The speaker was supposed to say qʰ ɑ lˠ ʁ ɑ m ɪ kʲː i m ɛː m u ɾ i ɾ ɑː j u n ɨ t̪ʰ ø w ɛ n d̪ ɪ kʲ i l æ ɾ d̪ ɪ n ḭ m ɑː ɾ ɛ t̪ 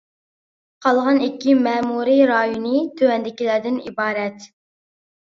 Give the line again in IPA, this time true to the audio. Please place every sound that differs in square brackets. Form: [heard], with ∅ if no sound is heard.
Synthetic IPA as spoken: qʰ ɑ lˠ ʁ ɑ [n] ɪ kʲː i m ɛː m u ɾ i ɾ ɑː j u n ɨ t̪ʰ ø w ɛ n d̪ ɪ kʲ i l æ ɾ d̪ ɪ n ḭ [b] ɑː ɾ ɛ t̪